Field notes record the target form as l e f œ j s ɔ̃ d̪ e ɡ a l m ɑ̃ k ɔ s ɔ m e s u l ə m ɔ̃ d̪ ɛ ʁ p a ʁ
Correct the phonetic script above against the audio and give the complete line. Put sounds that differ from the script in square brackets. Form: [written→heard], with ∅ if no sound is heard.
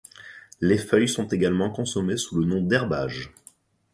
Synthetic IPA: l e f œ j s ɔ̃ [d̪→t̪] e ɡ a l m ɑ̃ k [ɔ→ɔ̃] s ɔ m e s u l ə [m→n] ɔ̃ d̪ ɛ ʁ [p→b] a [ʁ→ʒ]